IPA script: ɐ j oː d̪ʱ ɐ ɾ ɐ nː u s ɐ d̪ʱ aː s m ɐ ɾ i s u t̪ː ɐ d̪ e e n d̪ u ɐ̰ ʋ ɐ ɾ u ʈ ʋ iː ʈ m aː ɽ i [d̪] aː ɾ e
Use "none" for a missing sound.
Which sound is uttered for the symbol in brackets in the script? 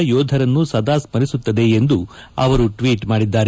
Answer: d̪ː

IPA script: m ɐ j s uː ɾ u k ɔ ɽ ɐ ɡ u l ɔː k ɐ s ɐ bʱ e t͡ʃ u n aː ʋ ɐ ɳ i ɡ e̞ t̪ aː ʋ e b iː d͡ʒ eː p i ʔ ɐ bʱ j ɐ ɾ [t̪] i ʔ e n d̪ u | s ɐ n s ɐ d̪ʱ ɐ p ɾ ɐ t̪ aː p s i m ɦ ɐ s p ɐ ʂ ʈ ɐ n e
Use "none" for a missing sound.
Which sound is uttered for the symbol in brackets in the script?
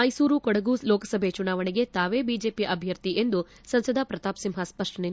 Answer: t̪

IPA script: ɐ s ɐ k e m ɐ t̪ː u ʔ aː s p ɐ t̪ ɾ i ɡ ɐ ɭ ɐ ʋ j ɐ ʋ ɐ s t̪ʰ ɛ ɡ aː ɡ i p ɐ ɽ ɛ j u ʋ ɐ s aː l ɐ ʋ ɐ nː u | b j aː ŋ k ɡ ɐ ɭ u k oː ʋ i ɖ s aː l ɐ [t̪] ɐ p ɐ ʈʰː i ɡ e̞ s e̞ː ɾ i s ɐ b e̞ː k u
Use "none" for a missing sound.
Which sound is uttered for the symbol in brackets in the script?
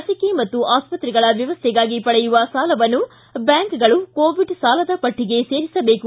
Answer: d̪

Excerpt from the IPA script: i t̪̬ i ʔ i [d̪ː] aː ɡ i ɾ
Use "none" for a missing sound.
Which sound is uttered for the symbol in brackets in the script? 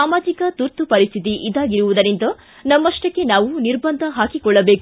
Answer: d̪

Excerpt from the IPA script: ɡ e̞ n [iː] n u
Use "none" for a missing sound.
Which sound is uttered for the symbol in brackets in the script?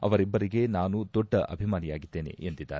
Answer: aː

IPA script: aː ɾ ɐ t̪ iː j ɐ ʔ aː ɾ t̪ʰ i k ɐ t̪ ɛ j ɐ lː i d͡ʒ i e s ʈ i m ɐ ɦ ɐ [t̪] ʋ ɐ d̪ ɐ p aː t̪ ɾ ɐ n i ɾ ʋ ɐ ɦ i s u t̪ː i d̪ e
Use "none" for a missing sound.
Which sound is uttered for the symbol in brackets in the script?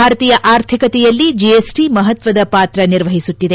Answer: t̪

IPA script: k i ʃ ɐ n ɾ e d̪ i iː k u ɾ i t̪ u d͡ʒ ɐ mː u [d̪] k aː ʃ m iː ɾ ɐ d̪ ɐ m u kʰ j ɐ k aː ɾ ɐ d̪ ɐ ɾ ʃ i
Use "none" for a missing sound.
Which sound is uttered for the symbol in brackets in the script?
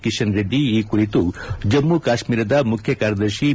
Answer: none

